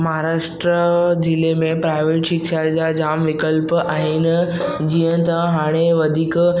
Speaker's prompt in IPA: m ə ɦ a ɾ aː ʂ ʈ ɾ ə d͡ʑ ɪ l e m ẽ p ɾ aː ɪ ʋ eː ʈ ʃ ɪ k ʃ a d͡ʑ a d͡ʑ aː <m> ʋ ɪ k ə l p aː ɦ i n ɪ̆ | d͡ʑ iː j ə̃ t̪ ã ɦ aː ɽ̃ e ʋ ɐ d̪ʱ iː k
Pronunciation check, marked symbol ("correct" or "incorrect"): correct